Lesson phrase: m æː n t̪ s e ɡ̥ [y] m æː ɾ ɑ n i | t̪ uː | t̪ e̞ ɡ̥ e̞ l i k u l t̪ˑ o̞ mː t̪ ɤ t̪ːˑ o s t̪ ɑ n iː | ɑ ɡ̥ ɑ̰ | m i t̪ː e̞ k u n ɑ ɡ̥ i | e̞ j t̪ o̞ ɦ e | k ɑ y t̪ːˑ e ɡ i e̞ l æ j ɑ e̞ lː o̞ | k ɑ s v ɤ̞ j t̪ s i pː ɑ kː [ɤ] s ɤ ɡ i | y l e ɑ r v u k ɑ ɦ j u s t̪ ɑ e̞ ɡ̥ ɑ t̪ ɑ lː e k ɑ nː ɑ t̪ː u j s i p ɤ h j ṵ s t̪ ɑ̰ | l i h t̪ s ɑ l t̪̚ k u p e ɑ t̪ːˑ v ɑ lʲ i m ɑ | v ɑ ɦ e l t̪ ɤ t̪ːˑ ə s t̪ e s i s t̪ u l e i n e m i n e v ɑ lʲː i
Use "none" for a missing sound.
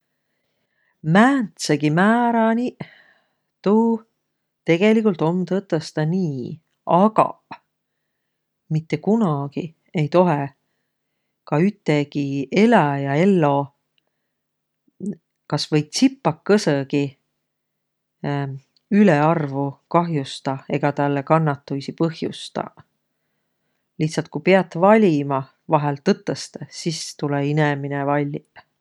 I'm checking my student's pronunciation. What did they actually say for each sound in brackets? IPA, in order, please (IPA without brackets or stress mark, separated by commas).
i, ɤ